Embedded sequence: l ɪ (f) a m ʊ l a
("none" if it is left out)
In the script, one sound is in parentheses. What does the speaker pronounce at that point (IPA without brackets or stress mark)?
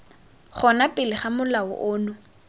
χ